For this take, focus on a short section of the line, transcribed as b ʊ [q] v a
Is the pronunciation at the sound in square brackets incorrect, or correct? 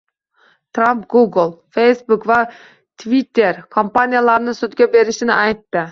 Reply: incorrect